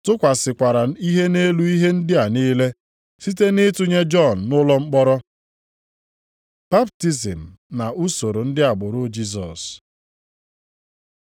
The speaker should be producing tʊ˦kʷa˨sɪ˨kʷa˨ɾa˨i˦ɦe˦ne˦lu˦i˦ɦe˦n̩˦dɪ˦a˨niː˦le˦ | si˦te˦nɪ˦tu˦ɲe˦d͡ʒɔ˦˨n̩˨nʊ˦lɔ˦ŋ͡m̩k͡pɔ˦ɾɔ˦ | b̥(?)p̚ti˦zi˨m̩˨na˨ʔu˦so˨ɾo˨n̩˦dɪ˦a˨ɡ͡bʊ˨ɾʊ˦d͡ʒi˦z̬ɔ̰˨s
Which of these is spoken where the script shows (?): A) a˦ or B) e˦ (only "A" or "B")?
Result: A